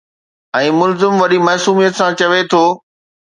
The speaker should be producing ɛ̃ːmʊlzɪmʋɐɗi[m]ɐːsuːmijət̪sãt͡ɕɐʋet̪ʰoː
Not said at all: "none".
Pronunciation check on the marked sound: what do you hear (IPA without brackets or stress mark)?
m